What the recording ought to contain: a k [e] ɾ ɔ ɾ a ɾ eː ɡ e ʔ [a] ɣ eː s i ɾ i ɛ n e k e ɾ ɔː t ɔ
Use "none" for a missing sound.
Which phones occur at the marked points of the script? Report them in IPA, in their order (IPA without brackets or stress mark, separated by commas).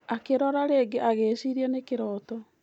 e, a